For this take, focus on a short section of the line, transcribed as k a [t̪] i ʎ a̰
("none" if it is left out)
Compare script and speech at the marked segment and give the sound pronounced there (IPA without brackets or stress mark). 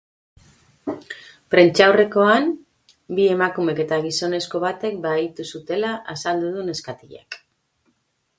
t̪